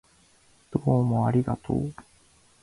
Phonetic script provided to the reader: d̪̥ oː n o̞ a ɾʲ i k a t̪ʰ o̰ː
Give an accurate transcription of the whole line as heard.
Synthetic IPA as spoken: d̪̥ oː m o̞ a ɾʲ i ɡ a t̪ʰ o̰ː